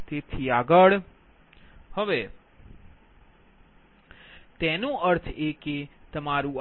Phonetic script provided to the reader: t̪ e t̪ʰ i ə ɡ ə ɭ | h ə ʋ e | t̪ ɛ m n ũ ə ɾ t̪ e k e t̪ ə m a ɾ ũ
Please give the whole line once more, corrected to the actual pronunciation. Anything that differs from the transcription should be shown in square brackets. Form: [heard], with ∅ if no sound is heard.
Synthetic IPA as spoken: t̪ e t̪ʰ i [a] ɡ ə ɭ | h ə ʋ e | t̪ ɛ [∅] n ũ ə ɾ [t̪ʰ] e k e t̪ ə m a ɾ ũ